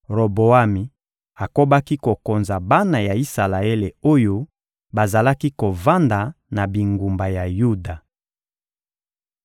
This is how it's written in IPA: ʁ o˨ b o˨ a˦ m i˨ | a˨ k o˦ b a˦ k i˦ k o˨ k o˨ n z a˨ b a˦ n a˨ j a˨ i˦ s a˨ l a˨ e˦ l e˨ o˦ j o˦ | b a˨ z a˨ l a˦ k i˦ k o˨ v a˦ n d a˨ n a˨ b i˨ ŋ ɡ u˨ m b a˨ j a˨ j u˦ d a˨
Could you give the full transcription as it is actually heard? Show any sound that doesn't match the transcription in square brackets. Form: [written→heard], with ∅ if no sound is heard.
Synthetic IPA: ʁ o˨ b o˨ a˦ m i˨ | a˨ k o˦ b a˦ k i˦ k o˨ k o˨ n z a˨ b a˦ n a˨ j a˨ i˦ s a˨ l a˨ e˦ l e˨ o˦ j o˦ | b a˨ z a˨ l a˦ k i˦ k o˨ v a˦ n d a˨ n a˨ b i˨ ŋ ɡ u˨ m b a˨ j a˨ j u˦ d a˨